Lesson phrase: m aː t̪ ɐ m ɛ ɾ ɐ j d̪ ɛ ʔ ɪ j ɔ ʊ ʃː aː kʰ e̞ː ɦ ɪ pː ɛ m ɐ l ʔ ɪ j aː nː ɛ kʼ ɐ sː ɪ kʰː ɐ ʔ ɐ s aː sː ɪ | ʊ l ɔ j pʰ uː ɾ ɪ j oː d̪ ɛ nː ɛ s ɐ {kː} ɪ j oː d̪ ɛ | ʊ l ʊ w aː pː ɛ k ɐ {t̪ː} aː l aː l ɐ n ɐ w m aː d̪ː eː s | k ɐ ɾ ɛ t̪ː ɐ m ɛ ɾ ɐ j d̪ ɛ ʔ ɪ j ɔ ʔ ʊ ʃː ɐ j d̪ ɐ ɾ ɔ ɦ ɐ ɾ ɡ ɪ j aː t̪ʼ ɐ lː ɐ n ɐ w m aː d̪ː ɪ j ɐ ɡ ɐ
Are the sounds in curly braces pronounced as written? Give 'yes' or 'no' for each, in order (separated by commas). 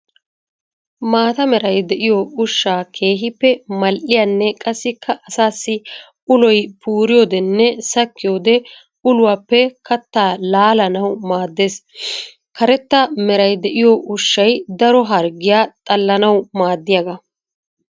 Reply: yes, yes